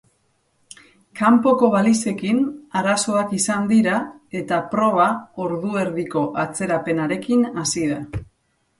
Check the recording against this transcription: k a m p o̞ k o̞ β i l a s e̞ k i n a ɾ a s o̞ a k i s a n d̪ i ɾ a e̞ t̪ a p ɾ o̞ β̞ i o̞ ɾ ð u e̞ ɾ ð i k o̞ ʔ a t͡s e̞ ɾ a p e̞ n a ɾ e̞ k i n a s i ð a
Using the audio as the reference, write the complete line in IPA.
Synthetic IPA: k a m p o̞ k o̞ β a l i s e̞ k i n a ɾ a s o̞ a k i s a n d̪ i ɾ a e̞ t̪ a p ɾ o̞ β̞ a o̞ ɾ ð u e̞ ɾ ð i k o̞ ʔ a t͡s e̞ ɾ a p e̞ n a ɾ e̞ k i n a s i ð a